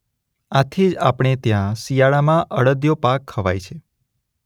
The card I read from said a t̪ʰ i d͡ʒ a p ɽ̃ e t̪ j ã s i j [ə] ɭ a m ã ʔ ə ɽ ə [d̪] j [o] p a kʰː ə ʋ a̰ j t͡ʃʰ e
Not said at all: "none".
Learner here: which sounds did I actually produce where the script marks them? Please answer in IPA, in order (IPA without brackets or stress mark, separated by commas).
a, d̪, o